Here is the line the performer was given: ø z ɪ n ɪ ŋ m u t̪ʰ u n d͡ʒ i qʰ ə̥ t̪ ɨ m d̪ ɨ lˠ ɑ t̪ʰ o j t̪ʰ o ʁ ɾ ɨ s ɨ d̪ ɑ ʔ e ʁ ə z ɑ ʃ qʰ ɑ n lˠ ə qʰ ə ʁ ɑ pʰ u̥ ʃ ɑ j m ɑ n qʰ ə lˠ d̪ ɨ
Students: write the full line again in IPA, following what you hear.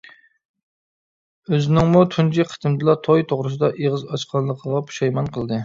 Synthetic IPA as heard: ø z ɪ n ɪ ŋ m u t̪ʰ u n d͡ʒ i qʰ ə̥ t̪ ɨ m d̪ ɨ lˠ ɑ t̪ʰ o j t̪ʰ o ʁ ɾ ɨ s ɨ d̪ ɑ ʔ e ʁ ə z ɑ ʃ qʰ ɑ n lˠ ə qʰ ə ʁ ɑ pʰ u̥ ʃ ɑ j m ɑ n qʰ ə lˠ d̪ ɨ